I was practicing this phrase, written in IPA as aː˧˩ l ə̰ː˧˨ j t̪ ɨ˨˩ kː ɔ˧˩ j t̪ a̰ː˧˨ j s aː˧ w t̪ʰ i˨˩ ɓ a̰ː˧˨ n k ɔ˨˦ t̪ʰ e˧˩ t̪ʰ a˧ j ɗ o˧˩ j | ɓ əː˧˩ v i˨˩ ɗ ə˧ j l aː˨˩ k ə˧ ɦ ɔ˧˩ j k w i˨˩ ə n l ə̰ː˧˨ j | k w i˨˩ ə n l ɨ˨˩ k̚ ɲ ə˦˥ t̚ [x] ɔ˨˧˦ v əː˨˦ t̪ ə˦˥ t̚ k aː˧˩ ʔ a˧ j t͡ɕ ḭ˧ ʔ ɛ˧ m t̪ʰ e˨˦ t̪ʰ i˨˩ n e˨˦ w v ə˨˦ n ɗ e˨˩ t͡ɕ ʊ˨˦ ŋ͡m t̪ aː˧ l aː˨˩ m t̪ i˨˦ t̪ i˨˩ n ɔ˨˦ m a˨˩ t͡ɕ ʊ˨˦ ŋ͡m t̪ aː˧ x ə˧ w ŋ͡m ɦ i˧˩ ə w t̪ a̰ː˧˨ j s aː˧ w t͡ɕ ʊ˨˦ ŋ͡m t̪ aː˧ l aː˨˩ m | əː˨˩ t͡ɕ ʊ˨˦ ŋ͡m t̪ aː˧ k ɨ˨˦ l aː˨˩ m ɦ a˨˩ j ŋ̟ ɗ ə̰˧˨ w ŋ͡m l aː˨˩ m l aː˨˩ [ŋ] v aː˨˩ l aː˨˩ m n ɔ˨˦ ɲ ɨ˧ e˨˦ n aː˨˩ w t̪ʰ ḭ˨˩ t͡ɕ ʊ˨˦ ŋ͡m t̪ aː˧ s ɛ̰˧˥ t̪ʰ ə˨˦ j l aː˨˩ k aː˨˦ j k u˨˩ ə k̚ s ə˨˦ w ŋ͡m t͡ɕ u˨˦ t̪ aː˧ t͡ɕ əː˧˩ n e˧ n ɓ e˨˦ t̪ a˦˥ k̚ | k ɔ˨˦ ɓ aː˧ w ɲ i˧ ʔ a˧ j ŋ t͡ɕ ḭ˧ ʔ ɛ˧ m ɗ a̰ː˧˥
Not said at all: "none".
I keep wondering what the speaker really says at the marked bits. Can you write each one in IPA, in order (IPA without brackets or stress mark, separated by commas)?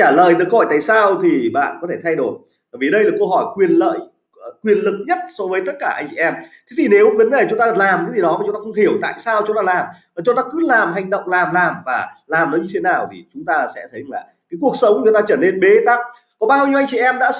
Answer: s, m